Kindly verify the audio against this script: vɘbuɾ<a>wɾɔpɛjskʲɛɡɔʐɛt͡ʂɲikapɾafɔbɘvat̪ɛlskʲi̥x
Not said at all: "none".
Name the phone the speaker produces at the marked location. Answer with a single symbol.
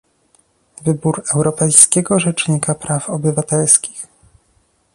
ɛ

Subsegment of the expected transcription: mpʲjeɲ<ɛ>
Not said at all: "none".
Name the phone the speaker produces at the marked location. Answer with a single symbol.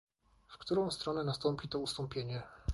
ɛ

